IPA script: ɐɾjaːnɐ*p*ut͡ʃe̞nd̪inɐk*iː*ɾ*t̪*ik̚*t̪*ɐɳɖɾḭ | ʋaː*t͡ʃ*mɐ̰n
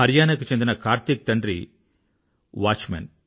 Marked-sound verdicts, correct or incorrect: incorrect: k, incorrect: aː, correct, correct, correct

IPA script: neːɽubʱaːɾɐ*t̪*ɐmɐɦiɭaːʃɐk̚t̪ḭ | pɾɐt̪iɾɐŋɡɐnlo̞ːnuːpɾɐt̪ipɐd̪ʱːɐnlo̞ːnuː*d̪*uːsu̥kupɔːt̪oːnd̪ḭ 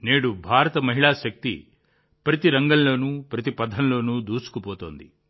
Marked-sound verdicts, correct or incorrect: correct, correct

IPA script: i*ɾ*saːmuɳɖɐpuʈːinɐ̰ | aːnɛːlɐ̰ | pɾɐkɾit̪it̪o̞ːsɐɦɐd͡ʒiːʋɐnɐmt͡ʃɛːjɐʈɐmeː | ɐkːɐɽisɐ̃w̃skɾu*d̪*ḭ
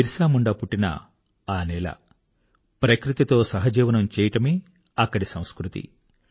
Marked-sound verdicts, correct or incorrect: correct, incorrect: t̪

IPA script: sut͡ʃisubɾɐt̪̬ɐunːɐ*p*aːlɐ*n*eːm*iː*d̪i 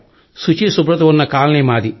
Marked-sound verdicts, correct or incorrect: incorrect: k, correct, incorrect: aː

